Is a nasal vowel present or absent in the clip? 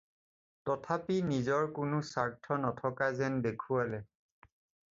absent